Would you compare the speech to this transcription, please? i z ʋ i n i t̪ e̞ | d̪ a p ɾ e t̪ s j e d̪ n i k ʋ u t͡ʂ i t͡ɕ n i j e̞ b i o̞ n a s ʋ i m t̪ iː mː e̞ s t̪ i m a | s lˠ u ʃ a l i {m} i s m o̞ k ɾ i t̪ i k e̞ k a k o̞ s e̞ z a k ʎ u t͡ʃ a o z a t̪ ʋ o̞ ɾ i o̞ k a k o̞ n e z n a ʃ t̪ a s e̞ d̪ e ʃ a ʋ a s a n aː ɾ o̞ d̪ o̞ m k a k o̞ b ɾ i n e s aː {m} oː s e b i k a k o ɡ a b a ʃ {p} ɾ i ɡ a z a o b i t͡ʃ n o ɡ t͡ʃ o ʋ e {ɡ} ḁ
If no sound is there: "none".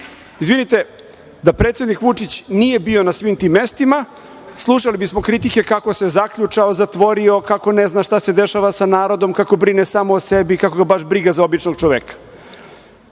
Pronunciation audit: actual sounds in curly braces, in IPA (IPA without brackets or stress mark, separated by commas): b, m, b, k